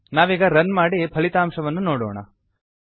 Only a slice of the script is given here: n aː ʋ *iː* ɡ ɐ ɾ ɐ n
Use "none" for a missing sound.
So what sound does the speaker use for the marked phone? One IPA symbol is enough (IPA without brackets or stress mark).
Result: iː